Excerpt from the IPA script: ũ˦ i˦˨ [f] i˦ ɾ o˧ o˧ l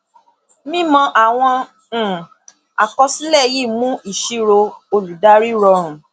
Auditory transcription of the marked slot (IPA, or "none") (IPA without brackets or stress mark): ʃ